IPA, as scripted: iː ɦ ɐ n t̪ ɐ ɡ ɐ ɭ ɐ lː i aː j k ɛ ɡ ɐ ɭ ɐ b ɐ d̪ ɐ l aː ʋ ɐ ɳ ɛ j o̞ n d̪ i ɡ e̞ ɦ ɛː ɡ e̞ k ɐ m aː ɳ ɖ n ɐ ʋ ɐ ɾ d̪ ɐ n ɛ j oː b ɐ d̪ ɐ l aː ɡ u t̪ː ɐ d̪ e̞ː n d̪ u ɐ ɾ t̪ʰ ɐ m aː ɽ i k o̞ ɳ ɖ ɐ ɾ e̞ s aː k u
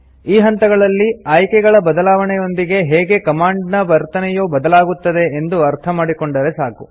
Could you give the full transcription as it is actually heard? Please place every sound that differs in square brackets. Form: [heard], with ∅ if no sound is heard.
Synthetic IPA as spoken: iː ɦ ɐ n t̪ ɐ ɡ ɐ ɭ ɐ lː i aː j k ɛ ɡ ɐ ɭ ɐ b ɐ d̪ ɐ l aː ʋ ɐ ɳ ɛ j o̞ n d̪ i ɡ e̞ ɦ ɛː ɡ e̞ k ɐ m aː ɳ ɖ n ɐ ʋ ɐ ɾ [t̪] ɐ n ɛ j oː b ɐ d̪ ɐ l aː ɡ u t̪ː ɐ d̪ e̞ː n d̪ u ɐ ɾ t̪ʰ ɐ m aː ɽ i k o̞ ɳ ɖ ɐ ɾ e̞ s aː k u